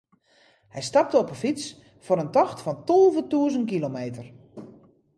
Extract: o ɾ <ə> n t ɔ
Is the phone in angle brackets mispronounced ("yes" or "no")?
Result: no